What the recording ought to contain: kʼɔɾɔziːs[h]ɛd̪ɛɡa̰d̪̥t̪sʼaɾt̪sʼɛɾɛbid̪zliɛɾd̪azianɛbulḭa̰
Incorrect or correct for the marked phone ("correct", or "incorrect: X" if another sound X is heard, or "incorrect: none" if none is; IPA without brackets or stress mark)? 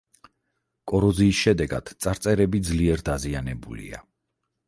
incorrect: ʃ